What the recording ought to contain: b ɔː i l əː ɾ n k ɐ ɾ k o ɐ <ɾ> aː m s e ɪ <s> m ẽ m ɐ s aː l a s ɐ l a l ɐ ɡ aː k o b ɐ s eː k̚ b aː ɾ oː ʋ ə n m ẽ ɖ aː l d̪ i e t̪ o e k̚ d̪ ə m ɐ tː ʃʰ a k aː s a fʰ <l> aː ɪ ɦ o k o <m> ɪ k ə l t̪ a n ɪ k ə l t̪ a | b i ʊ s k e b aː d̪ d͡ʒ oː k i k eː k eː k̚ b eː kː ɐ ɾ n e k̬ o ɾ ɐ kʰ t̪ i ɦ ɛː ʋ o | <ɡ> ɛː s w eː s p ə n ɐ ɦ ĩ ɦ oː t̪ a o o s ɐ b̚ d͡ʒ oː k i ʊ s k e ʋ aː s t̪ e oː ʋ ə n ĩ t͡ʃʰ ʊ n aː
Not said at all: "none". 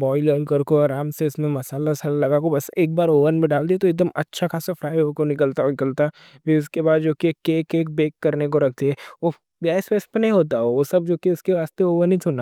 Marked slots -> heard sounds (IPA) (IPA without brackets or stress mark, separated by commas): ɾ, s, ɾ, n, ɡ